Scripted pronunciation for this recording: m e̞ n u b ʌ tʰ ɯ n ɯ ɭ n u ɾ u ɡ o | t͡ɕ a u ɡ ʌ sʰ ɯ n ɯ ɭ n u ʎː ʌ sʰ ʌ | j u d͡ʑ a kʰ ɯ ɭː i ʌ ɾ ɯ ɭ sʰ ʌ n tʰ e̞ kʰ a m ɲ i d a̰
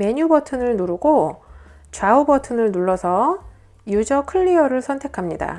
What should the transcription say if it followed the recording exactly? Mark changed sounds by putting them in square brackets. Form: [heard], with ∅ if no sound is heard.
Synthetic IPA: m e̞ [ɲ] u b ʌ tʰ ɯ n ɯ ɭ n u ɾ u ɡ o | t͡ɕ a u [b] ʌ [tʰ] ɯ n ɯ ɭ n u [ɭː] ʌ sʰ ʌ | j u d͡ʑ [ʌ] kʰ ɯ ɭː i ʌ ɾ ɯ ɭ sʰ ʌ n tʰ e̞ kʰ a m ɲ i d a̰